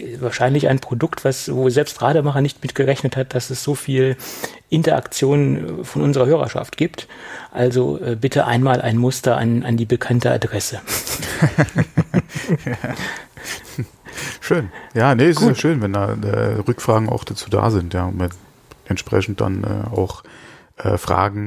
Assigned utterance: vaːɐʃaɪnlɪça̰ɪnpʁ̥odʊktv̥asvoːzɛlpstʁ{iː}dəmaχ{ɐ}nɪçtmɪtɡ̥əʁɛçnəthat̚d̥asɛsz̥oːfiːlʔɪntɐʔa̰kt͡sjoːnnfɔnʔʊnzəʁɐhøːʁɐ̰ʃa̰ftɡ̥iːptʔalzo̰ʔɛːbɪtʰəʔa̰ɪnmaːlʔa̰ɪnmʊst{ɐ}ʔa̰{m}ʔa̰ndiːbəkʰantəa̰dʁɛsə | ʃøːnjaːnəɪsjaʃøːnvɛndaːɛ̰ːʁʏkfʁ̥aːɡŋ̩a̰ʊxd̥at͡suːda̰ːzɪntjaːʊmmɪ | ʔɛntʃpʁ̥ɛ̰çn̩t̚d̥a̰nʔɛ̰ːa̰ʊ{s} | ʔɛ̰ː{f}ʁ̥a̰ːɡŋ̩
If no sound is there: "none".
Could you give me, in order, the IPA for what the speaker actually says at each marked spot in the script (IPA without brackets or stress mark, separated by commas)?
aː, ɐ, ɐ, n, x, f